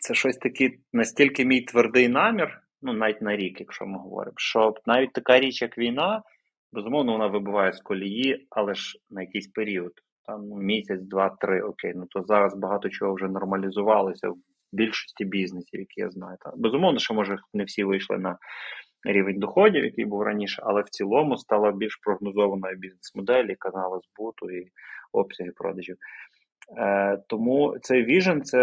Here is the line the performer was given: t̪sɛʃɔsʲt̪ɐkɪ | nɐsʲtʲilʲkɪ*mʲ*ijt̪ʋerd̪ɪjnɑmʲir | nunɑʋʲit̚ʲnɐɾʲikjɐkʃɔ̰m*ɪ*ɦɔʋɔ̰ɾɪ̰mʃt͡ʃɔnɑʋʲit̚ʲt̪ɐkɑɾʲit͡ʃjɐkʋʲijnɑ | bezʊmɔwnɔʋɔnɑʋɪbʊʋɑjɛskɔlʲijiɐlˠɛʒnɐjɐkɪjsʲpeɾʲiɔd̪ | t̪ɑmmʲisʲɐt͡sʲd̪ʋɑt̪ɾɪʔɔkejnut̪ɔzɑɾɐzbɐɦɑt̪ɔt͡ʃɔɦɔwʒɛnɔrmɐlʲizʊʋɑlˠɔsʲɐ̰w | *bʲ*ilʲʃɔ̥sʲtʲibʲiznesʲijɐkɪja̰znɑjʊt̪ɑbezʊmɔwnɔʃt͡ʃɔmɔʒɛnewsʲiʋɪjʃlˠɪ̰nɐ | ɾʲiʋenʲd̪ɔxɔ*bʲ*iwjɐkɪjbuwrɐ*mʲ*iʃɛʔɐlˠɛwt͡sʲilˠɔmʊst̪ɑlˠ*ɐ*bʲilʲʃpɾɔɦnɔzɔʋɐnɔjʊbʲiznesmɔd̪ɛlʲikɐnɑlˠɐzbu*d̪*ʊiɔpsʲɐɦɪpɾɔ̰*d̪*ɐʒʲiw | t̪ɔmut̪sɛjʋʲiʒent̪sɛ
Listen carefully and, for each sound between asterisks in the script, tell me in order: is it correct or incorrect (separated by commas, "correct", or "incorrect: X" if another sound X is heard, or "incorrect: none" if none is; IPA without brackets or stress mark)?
correct, correct, correct, incorrect: dʲ, incorrect: nʲ, correct, incorrect: t̪, correct